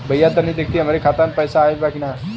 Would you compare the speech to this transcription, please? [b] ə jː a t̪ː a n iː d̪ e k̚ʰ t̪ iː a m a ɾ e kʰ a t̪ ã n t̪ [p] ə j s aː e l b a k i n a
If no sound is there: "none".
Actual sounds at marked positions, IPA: b, p

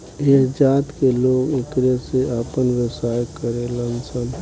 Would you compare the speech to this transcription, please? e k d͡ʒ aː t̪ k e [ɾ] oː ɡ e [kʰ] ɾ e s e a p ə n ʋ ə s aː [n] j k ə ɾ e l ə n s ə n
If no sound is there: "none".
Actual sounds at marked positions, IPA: l, k, none

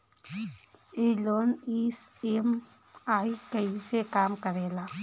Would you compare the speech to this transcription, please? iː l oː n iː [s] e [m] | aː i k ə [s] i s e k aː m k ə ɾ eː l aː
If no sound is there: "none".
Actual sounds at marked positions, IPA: s, m, none

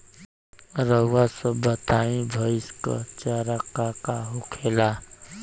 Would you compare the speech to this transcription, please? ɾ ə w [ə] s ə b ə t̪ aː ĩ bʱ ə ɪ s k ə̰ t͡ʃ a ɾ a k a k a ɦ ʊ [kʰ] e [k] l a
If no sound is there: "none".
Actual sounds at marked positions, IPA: a, kʰ, none

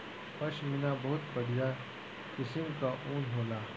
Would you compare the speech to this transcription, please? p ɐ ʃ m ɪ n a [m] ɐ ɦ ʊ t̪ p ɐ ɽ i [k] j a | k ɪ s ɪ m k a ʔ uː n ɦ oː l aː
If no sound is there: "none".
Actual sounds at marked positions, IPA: b, none

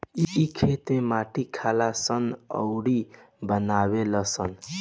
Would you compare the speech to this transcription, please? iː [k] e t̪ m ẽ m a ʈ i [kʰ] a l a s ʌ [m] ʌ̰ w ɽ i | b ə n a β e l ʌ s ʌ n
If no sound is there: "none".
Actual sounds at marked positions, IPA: kʰ, kʰ, n

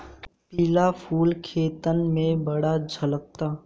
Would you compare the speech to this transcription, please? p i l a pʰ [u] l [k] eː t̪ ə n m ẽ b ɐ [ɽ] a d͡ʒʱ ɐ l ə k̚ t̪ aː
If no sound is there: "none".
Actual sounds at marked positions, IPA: uː, kʰ, ɽ

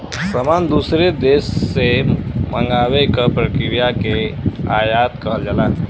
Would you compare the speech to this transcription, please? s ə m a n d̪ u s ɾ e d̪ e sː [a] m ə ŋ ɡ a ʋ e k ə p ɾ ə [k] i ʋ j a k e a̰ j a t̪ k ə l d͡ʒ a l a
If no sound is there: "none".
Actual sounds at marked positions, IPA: e, k

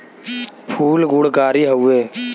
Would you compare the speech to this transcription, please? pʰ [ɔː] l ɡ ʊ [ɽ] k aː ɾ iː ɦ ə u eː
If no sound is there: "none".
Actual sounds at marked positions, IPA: uː, ɽ

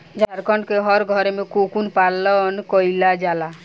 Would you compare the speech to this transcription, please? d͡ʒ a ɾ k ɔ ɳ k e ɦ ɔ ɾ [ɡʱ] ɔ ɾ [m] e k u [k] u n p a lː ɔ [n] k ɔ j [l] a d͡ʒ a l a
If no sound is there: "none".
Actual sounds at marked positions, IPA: ɡʱ, m, k, n, l

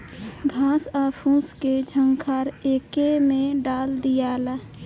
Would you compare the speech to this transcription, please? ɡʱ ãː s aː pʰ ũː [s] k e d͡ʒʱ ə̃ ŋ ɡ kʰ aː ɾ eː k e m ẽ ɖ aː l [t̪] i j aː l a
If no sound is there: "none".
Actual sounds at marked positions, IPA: s, d̪

